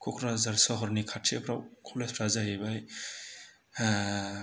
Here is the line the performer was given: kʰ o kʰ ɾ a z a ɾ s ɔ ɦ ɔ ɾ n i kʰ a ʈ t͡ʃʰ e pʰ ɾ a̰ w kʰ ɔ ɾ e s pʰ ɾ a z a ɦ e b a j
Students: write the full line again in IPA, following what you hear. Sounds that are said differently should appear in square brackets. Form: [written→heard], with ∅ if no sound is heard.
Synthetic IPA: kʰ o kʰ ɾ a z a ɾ s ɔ ɦ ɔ ɾ n i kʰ a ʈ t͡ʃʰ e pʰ ɾ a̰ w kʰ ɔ [ɾ→l] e s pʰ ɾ a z a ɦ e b a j